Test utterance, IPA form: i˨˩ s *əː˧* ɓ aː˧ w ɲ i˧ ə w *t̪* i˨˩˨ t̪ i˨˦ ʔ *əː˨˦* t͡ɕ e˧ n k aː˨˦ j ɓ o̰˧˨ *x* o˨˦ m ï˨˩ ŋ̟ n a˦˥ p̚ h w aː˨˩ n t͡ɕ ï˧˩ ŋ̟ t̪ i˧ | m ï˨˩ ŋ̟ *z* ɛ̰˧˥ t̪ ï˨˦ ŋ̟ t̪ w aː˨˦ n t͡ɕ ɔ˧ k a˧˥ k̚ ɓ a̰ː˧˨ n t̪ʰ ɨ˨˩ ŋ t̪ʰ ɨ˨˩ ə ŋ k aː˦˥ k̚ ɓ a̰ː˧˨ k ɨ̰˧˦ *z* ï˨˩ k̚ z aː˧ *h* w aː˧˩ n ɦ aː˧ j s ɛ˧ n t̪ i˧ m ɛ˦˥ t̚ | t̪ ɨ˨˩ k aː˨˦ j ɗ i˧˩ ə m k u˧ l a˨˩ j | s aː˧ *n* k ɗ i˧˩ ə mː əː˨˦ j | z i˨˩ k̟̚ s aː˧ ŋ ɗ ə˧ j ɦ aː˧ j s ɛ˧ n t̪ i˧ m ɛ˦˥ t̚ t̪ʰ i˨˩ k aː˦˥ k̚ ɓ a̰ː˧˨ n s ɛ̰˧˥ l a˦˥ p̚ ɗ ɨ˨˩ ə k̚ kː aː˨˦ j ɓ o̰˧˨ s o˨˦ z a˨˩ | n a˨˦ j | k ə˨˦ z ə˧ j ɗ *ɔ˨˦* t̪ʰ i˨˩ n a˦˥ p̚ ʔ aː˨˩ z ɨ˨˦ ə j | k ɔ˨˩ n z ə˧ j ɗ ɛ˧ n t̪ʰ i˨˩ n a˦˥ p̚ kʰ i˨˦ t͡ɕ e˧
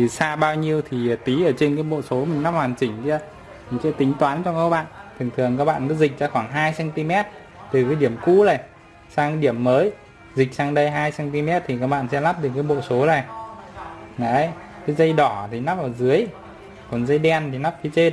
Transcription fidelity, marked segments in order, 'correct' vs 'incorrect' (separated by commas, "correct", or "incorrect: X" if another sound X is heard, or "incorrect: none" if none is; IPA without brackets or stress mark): incorrect: aː˧, incorrect: t̪ʰ, incorrect: əː˧˩, incorrect: s, incorrect: s, correct, incorrect: x, incorrect: ŋ, incorrect: ɔ˧˩